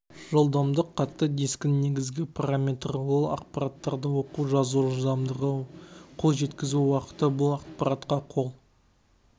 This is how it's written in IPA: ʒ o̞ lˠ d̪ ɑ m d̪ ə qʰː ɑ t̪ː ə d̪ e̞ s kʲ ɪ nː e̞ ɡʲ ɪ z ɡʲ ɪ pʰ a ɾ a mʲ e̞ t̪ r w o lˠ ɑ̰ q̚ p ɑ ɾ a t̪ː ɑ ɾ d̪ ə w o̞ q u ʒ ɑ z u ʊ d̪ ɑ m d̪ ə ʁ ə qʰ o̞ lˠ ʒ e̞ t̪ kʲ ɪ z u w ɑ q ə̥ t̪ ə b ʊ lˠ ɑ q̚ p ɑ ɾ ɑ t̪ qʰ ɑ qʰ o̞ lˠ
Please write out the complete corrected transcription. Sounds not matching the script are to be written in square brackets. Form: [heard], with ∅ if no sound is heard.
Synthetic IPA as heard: ʒ o̞ lˠ d̪ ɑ m d̪ ə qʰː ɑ t̪ː ə d̪ e̞ s kʲ ɪ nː e̞ ɡʲ ɪ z ɡʲ ɪ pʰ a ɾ a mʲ e̞ t̪ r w o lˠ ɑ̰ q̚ p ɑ ɾ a t̪ː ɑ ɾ d̪ ə w o̞ q u ʒ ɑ z u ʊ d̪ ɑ m d̪ ə ʁ ə qʰ o̞ lˠ ʒ e̞ t̪ kʲ ɪ z u w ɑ q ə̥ t̪ ə b ʊ lˠ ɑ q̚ p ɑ ɾ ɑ t̪ [q] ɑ qʰ o̞ lˠ